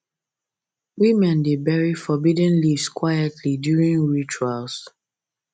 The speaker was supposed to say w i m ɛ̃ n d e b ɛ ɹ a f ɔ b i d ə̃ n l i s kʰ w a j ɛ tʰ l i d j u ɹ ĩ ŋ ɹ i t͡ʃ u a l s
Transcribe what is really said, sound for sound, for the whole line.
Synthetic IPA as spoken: w i m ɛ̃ n d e b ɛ ɹ i f ɔ b i d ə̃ n l i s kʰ w a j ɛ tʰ l i d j u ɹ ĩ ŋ ɹ i t͡ʃ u a l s